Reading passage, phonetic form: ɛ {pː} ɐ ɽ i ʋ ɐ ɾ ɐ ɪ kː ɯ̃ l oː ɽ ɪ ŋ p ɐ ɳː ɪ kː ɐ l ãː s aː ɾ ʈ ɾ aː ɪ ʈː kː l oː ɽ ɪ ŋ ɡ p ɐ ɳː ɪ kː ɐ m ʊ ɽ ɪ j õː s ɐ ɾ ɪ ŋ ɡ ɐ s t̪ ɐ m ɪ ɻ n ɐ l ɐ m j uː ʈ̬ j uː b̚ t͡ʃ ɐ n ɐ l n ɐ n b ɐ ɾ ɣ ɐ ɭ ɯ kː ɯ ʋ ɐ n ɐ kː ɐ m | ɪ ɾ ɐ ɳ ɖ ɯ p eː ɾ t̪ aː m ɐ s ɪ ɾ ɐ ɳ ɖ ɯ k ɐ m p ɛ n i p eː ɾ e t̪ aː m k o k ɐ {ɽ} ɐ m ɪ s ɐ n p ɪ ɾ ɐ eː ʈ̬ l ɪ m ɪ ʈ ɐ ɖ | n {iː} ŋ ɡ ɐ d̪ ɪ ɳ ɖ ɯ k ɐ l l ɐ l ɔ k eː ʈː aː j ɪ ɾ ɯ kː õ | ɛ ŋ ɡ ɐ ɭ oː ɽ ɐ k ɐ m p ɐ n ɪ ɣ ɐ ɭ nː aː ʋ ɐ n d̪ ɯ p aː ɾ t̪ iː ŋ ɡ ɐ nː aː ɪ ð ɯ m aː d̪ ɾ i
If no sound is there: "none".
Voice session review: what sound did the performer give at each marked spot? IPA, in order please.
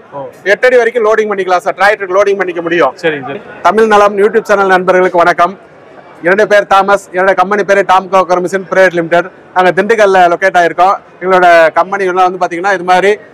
ʈː, ɾ, aː

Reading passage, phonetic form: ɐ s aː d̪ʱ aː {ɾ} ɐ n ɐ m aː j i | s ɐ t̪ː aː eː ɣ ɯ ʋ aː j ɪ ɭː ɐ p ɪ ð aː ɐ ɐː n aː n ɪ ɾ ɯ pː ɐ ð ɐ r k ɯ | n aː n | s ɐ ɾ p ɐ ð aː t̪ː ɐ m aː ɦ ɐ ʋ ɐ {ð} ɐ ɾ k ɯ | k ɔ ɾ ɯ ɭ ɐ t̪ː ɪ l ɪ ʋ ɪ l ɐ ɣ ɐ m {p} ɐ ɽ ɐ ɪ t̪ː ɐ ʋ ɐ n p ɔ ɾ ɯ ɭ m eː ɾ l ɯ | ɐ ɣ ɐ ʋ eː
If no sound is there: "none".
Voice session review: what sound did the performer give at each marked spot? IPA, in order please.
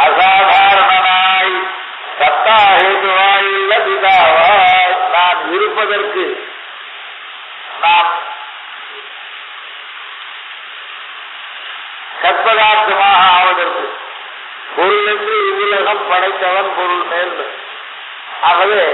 ɾ, ð, p

